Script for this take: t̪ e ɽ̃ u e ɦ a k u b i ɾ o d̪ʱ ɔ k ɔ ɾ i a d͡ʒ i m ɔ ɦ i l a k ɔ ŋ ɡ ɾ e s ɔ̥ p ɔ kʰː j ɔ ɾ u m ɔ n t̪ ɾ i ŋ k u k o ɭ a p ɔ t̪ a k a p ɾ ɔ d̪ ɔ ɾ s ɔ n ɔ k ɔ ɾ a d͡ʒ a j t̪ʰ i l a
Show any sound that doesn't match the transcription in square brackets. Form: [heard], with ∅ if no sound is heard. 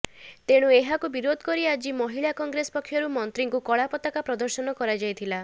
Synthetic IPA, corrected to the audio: t̪ e ɽ̃ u e ɦ a k u b i ɾ o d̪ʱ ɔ k ɔ ɾ i a d͡ʒ i m ɔ ɦ i [ɭ] a k ɔ ŋ ɡ ɾ e s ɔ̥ p ɔ kʰː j ɔ ɾ u m ɔ n t̪ ɾ i ŋ k u k [ɔ] ɭ a p ɔ t̪ a k a p ɾ ɔ d̪ ɔ ɾ s ɔ n ɔ k ɔ ɾ a d͡ʒ a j t̪ʰ i l a